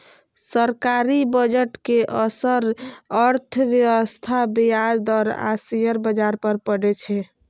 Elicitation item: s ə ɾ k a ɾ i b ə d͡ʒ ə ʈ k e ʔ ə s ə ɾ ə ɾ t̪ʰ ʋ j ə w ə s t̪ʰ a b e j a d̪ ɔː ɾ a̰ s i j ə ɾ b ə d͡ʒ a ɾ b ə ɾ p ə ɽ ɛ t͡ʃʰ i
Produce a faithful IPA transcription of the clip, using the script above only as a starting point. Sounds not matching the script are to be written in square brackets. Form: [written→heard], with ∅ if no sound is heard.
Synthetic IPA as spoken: s ə ɾ k a ɾ i b ə d͡ʒ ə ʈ k e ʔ ə s ə ɾ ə ɾ t̪ʰ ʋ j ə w ə s t̪ʰ a b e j a d̪ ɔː ɾ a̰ s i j ə ɾ b ə d͡ʒ a ɾ [b→p] ə ɾ p ə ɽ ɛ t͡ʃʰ [i→ɛ]

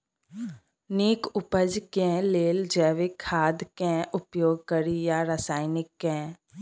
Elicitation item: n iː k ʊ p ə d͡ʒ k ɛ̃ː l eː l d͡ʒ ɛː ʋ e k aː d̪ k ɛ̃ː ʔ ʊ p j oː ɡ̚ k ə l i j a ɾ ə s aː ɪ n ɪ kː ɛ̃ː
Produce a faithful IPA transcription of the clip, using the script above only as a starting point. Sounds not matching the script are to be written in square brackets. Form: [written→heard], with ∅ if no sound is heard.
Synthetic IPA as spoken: n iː k ʊ p ə d͡ʒ k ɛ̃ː l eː l d͡ʒ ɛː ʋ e [k→kʰ] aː d̪ k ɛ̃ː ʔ ʊ p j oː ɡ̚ k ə [l→ɾ] i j a ɾ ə s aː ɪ n ɪ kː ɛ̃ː

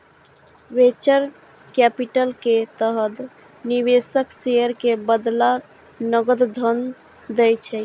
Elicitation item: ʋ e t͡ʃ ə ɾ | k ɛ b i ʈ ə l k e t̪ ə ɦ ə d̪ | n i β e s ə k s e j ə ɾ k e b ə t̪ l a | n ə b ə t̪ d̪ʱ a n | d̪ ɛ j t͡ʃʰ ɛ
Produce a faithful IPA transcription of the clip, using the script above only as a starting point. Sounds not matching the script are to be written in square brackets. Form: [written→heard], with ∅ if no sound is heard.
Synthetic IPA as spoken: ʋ e t͡ʃ ə ɾ | k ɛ [b→p] i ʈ ə l k e t̪ ə ɦ ə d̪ | n i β e s ə k s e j ə ɾ k e b ə [t̪→d̪] l a | n ə [b→ɡ] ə [t̪→d̪] d̪ʱ [a→ə] n | d̪ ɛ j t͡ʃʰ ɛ

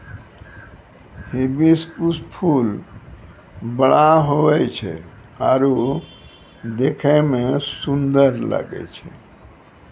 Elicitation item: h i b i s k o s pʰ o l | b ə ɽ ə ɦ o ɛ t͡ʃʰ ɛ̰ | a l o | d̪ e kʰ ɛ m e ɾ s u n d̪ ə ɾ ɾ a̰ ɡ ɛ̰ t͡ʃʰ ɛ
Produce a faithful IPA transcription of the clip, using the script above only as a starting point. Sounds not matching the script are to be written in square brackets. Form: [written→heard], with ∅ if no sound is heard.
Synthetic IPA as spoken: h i b i s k [o→u] s pʰ [o→u] l | b ə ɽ [ə→a] ɦ o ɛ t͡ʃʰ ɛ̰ | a [l→ɾ] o | d̪ e kʰ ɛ m e [ɾ→∅] s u n d̪ ə ɾ [ɾ→l] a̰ ɡ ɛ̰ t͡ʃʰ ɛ

